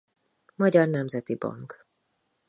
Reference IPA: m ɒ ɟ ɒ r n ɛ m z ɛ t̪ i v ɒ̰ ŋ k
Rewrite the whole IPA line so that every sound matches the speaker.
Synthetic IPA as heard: m ɒ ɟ ɒ r n ɛ m z ɛ t̪ i b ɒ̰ ŋ k